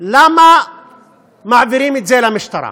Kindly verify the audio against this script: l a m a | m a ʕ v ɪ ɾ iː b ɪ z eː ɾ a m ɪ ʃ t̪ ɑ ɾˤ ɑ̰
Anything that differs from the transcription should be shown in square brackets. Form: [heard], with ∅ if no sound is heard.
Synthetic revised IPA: l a m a | m a ʕ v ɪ ɾ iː [m] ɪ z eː [l] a m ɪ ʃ t̪ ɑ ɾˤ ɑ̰